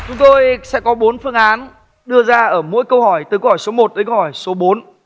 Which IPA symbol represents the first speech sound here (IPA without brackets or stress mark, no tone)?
t͡ɕ